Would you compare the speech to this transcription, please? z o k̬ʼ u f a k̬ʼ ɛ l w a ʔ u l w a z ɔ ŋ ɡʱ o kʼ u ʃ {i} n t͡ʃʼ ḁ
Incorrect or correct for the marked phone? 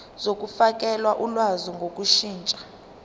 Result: incorrect: iː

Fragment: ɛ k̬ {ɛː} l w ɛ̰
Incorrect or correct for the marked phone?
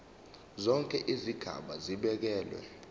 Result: correct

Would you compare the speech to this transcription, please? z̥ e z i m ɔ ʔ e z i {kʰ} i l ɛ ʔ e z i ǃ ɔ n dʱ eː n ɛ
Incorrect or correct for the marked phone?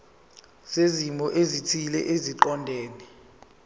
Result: incorrect: tʰ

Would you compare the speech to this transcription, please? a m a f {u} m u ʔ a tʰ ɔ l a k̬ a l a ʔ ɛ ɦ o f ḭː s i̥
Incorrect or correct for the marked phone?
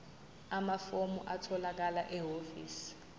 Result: incorrect: o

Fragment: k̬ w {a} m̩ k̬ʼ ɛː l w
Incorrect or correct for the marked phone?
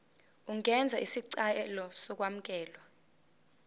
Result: correct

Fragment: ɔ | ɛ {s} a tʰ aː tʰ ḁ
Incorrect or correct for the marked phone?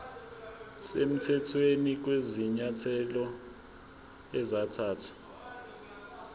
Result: incorrect: z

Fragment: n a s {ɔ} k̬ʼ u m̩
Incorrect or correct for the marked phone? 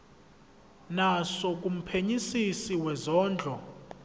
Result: correct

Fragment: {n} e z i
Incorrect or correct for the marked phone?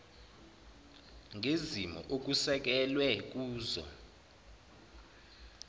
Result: incorrect: ŋ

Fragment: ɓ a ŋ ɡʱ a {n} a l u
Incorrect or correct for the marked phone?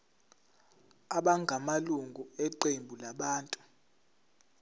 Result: incorrect: m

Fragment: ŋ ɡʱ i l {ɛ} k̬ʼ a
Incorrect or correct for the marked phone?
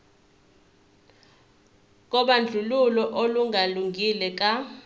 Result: correct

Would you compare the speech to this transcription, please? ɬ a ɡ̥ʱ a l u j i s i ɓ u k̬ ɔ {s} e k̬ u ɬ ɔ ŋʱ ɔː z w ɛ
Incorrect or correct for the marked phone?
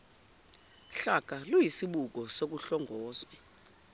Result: correct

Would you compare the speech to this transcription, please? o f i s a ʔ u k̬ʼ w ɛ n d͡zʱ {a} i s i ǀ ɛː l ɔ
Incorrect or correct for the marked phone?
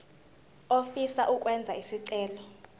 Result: correct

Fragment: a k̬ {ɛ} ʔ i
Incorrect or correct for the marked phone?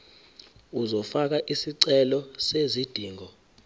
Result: incorrect: a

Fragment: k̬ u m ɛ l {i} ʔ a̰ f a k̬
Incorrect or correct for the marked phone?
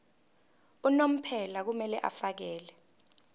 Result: incorrect: ɛ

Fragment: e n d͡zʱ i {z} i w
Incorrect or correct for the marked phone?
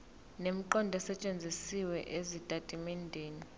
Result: incorrect: s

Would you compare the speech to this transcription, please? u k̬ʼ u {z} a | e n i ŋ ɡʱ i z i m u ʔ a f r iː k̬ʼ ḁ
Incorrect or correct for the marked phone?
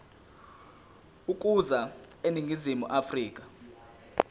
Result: correct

